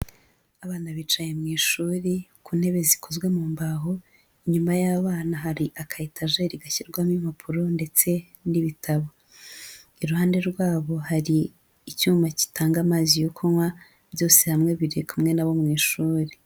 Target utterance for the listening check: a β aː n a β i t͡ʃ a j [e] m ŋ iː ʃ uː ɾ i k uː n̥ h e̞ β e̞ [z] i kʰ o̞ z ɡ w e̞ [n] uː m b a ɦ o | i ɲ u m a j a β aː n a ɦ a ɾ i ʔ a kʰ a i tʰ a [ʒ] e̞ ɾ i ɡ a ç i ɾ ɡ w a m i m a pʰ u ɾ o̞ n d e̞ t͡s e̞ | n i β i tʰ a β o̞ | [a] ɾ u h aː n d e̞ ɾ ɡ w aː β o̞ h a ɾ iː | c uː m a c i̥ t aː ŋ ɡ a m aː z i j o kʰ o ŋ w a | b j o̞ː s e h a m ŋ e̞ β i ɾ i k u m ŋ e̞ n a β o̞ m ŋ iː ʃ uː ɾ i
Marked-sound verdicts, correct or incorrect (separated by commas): correct, correct, incorrect, correct, incorrect